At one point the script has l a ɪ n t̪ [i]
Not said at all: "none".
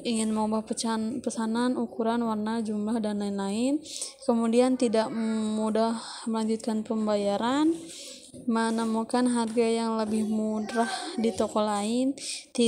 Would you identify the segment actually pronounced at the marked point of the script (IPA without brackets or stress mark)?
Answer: i